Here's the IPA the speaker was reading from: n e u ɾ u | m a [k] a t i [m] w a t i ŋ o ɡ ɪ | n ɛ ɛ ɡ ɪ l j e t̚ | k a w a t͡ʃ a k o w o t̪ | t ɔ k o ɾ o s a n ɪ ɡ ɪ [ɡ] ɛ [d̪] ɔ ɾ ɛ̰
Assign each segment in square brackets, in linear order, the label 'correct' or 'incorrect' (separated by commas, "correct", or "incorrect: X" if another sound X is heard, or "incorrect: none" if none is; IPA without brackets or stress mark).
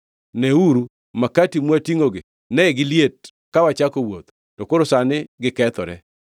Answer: correct, correct, incorrect: k, incorrect: t̪